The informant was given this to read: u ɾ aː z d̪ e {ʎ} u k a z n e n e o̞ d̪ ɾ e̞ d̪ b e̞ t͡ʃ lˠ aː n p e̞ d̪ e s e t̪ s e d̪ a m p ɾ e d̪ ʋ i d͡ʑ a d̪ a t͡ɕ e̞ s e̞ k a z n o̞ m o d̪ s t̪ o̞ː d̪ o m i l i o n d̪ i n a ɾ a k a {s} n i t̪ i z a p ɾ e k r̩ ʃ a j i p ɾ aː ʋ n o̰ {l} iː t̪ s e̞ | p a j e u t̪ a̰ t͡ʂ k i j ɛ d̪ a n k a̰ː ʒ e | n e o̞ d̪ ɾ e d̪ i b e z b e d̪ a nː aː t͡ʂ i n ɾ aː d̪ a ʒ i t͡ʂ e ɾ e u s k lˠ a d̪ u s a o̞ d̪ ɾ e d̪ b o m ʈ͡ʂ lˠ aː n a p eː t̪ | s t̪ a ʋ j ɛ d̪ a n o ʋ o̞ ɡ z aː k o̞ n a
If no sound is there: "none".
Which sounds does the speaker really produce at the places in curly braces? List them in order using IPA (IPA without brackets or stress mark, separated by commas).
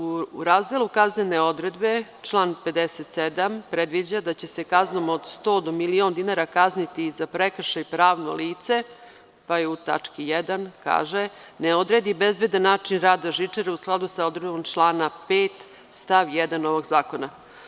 l, z, l